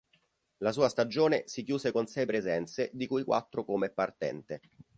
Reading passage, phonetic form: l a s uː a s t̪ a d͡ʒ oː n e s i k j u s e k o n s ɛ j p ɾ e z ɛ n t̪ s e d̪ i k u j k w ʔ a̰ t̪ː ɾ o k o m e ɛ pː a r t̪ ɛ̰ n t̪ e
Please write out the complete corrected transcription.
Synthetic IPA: l a s uː a s t̪ a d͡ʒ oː n e s i k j uː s e k o n s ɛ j p ɾ e z ɛ n t̪ s e d̪ i k u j k w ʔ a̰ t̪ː ɾ o k o m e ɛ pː a r t̪ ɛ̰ n t̪ e